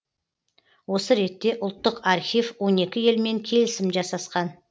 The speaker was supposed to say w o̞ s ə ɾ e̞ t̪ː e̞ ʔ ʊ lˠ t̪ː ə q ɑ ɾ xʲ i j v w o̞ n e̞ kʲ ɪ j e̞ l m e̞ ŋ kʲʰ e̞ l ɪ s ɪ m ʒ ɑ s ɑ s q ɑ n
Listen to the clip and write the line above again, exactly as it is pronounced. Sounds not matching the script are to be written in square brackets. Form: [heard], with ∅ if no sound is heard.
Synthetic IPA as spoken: w o̞ s ə ɾ e̞ t̪ː e̞ ʔ ʊ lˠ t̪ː ə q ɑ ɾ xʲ i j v w o̞ n e̞ kʲ ɪ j e̞ l m e̞ ŋ kʲʰ e̞ l ɪ s ɪ m ʒ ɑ s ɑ s q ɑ n